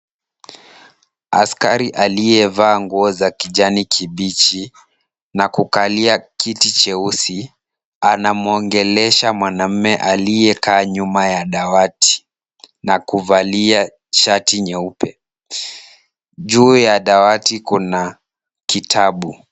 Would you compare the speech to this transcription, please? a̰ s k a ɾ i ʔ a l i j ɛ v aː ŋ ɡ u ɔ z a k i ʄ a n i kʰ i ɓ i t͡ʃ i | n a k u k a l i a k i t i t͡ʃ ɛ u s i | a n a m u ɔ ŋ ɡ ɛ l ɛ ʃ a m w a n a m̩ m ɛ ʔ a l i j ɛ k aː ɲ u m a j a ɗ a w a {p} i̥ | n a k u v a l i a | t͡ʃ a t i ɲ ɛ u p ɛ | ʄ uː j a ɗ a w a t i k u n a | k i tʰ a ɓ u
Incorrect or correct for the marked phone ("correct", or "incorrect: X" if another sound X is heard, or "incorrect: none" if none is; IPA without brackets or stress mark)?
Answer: incorrect: t